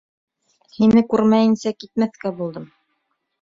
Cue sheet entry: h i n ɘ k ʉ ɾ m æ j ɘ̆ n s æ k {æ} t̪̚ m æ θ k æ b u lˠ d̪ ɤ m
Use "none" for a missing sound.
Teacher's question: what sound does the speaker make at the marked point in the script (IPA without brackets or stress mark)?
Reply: i